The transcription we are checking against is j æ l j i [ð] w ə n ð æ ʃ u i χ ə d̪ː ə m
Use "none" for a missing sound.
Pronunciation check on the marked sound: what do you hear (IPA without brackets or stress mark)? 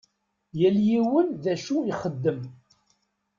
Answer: none